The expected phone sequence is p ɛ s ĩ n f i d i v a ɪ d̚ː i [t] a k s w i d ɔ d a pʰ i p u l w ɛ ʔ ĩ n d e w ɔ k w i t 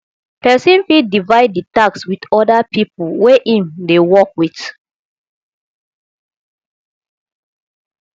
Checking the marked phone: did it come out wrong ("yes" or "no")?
no